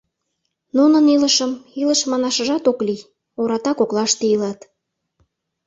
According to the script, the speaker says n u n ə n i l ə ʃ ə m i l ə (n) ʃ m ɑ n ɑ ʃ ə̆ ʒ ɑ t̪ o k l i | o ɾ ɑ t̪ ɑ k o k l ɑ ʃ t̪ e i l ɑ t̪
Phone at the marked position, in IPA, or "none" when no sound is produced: none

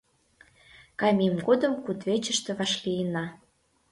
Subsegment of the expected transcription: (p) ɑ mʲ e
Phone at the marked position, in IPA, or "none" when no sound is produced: k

